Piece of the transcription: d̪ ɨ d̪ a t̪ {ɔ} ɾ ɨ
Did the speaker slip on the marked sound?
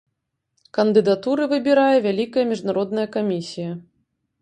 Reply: yes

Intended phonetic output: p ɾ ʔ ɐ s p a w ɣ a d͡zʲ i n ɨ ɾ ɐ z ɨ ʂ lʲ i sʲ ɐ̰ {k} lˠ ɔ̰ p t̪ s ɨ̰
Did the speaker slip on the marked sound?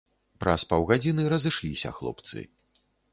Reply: yes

